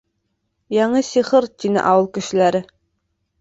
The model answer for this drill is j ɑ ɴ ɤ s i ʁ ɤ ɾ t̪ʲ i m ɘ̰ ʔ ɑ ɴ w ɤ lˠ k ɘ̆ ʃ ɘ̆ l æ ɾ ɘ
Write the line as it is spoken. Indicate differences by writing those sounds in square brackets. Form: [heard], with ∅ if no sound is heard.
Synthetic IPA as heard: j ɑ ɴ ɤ s i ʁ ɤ ɾ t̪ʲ i [n] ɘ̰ ʔ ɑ [∅] w ɤ lˠ k ɘ̆ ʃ ɘ̆ l æ ɾ ɘ